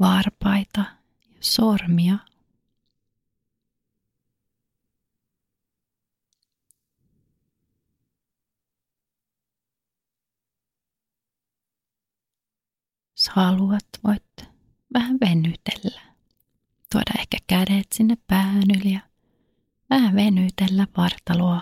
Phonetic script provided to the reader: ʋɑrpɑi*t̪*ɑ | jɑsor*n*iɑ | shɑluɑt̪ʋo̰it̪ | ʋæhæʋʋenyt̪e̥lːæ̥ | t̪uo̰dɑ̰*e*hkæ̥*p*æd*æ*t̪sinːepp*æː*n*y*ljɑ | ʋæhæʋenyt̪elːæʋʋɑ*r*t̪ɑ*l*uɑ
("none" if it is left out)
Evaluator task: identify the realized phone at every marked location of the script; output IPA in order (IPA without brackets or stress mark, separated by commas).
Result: t̪, m, e, k, e, æː, y, r, l